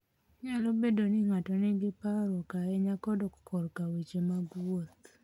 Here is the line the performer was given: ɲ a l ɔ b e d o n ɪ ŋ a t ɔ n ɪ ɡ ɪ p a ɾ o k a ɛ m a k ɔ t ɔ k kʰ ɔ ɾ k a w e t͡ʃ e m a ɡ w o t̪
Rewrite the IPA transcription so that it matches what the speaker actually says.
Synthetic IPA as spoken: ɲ a l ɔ b e d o n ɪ ŋ a t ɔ n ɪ ɡ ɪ p a ɾ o k a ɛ ɲ a k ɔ d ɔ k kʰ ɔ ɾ k a w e t͡ʃ e m a ɡ w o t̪